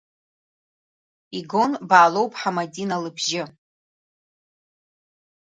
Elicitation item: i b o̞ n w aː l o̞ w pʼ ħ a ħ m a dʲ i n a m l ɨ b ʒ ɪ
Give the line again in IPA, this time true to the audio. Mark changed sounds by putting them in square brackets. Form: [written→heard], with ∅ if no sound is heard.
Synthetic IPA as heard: i [b→ɡ] o̞ n [w→b] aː l o̞ w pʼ ħ a [ħ→∅] m a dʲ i n a [m→∅] l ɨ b ʒ ɪ